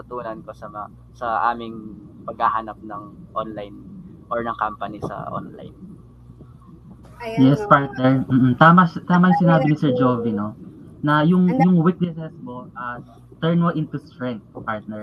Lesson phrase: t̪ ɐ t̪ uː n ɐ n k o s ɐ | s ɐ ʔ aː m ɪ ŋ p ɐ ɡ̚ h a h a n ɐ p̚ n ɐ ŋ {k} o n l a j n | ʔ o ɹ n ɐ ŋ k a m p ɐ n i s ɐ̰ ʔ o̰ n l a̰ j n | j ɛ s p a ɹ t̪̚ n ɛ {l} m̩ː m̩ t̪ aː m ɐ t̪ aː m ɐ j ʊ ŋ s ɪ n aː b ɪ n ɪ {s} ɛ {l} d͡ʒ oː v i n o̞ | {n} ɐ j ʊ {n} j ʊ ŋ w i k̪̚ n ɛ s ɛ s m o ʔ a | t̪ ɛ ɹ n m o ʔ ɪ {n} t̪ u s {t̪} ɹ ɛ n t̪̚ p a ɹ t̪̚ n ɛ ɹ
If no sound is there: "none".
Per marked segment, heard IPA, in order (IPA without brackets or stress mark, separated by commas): ʔ, ɹ, s, ɹ, n, ŋ, n, t̪